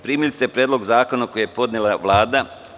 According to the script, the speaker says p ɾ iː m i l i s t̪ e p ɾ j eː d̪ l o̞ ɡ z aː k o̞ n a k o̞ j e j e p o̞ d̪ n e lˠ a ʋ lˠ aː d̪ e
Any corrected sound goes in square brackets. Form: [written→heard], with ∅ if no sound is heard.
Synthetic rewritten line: p ɾ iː m i l i s t̪ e p ɾ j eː d̪ l o̞ ɡ z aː k o̞ n a k o̞ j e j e p o̞ d̪ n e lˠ a ʋ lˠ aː d̪ [e→a]